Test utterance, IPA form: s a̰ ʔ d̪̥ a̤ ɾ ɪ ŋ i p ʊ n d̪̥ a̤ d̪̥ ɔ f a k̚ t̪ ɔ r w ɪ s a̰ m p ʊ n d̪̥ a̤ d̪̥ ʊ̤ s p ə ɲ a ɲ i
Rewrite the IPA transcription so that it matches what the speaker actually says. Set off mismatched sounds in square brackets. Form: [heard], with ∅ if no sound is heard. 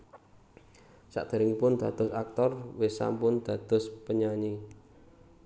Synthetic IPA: s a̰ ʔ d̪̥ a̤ ɾ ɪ ŋ i p ʊ n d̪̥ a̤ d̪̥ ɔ [s] a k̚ t̪ ɔ r w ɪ s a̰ m p ʊ n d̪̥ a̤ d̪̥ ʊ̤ s p ə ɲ a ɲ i